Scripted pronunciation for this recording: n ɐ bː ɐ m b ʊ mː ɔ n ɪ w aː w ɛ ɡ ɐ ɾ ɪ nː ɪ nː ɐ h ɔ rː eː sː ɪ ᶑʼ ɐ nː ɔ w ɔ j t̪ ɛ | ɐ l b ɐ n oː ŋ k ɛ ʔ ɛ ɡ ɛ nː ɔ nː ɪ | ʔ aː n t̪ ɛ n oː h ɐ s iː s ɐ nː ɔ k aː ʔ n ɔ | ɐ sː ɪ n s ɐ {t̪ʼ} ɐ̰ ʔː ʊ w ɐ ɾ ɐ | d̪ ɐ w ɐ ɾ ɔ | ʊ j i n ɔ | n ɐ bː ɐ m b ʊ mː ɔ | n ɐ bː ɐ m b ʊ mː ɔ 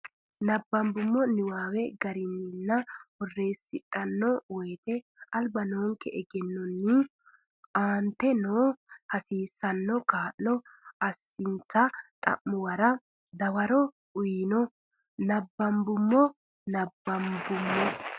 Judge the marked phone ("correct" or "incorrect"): correct